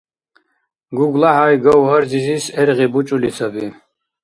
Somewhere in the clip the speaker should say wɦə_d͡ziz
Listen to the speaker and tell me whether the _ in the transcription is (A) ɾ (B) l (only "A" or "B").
A